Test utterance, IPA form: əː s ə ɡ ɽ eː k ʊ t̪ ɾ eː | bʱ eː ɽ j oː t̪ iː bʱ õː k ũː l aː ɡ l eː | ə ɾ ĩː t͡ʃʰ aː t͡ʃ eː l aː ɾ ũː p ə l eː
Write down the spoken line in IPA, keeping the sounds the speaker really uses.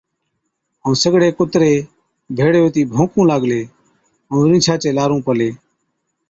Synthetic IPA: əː s ə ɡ ɽ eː k ʊ t̪ ɾ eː | bʱ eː ɽ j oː t̪ iː bʱ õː k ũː l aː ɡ l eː | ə ɾ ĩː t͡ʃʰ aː t͡ʃ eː l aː ɾ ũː p ə l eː